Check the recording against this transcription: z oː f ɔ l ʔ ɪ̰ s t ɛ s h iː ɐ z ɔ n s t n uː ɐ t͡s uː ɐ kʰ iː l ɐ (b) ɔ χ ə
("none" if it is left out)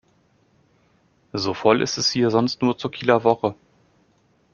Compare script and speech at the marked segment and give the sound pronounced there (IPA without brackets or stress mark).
v